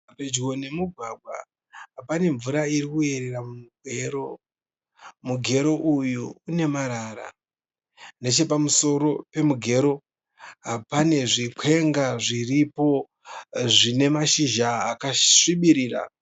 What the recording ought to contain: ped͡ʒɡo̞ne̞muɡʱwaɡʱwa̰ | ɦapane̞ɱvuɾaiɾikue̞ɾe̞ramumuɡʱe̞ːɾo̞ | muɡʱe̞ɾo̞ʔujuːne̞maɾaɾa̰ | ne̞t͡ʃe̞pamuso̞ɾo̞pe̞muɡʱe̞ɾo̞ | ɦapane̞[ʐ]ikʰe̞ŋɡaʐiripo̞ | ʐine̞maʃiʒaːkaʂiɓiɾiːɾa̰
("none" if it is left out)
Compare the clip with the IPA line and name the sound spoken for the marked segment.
ʐ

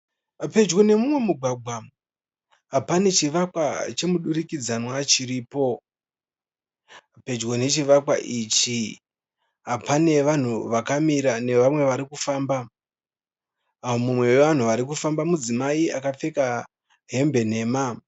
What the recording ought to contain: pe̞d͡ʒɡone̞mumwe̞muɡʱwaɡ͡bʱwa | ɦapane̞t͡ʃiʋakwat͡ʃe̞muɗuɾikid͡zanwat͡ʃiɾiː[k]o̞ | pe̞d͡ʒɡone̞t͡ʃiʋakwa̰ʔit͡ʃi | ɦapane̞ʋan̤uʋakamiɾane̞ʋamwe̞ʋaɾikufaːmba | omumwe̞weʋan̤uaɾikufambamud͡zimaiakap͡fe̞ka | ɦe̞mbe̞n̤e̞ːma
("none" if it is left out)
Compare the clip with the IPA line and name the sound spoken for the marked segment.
p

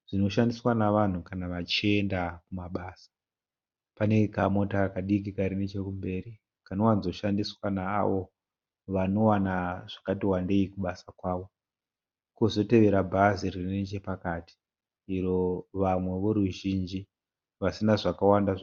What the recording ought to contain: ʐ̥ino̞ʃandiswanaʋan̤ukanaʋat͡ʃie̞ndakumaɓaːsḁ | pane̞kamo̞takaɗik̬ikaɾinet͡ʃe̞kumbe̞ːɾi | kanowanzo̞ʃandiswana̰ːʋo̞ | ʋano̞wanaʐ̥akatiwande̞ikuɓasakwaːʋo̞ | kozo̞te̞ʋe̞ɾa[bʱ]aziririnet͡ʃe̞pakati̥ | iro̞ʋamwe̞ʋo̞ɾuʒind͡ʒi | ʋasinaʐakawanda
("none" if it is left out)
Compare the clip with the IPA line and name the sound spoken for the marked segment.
bʱ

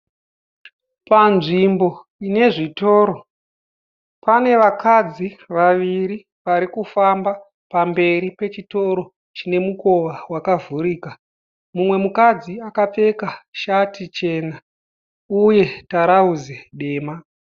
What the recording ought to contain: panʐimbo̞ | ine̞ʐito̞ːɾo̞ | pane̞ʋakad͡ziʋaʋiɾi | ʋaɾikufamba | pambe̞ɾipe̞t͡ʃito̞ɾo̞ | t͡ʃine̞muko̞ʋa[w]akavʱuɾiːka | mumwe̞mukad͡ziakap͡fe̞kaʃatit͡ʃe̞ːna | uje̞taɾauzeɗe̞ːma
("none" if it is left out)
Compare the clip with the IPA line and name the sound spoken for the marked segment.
w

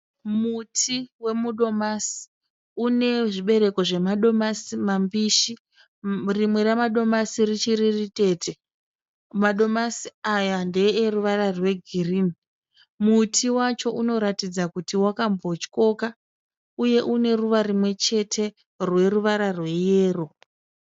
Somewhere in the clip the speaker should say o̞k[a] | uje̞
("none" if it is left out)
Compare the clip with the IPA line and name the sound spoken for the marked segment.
a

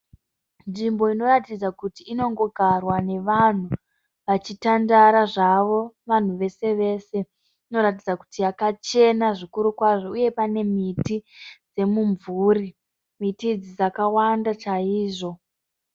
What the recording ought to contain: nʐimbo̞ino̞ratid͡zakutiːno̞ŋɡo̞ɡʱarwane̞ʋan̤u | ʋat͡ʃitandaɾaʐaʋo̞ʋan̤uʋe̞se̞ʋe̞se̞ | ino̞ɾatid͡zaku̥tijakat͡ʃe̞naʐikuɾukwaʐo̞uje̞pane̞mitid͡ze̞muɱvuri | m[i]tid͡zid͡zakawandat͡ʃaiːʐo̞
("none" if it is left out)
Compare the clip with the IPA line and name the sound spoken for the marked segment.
i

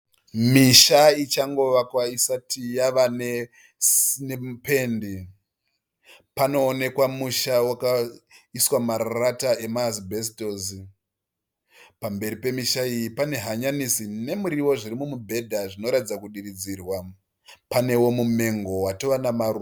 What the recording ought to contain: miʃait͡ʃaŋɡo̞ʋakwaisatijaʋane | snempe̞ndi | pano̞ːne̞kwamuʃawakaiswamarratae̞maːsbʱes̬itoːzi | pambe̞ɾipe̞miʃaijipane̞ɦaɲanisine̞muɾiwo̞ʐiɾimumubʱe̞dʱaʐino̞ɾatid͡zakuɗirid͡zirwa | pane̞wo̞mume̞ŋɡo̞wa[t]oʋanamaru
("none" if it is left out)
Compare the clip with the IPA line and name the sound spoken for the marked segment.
t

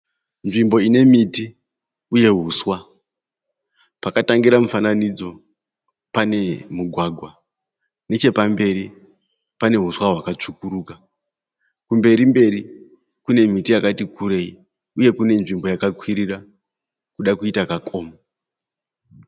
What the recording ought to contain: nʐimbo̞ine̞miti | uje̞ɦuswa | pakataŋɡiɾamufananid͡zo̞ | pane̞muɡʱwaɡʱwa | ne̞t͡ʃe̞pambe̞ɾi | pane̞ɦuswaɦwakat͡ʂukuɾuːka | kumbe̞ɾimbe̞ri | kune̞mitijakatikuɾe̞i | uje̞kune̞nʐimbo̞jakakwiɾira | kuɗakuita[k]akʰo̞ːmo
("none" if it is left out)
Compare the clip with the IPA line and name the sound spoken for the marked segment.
k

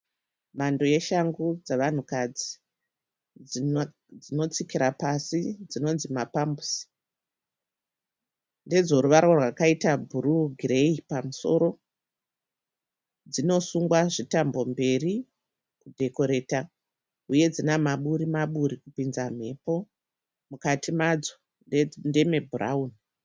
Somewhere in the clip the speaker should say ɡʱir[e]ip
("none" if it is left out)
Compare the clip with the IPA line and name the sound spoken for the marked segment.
e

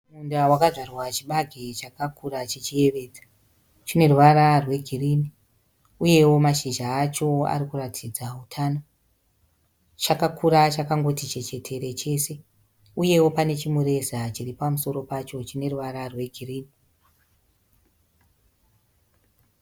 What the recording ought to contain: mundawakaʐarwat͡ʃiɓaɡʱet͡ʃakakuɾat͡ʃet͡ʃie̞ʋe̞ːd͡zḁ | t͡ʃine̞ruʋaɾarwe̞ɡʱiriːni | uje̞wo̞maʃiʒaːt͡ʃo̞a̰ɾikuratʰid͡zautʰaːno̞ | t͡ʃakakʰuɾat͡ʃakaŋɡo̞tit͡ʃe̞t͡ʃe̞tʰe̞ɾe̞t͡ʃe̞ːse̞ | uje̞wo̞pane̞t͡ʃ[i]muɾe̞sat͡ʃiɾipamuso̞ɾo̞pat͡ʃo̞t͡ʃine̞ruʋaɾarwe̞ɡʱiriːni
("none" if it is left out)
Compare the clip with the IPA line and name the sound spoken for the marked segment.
i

